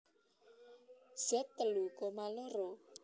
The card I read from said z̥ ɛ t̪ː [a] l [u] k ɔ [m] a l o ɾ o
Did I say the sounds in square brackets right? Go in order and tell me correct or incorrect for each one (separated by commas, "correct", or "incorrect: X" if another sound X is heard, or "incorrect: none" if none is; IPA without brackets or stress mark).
incorrect: ə, correct, correct